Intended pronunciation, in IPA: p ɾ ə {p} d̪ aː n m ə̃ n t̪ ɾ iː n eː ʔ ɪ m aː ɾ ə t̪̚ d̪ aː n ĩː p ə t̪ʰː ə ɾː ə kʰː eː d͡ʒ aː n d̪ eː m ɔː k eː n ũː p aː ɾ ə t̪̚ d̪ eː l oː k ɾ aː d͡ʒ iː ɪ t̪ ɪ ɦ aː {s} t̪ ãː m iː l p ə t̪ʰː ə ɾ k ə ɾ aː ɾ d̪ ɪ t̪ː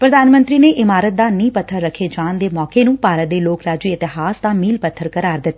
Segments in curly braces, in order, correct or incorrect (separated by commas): incorrect, correct